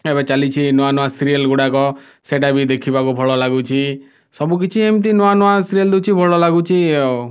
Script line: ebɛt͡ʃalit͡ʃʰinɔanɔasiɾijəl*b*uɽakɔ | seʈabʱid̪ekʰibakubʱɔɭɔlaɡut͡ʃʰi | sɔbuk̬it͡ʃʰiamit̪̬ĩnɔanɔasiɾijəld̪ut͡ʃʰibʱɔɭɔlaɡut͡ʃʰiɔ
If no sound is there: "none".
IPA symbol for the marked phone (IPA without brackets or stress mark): ɡ